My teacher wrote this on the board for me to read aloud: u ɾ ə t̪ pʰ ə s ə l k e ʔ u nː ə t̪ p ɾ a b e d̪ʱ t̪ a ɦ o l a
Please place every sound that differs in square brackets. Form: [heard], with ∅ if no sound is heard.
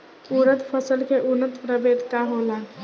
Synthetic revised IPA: u ɾ ə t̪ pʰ ə s ə l k e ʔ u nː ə t̪ p ɾ [ə] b e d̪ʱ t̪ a ɦ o l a